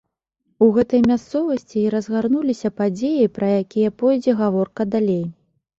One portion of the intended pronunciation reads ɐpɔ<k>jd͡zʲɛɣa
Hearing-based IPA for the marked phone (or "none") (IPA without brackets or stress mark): none